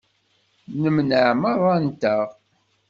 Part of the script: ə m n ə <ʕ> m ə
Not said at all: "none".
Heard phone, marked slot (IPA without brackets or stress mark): ʕ